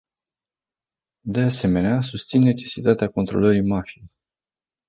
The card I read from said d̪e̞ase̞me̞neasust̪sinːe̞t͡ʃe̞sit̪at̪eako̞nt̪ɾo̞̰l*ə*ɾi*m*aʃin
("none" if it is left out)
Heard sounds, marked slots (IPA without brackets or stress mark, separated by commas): ə, m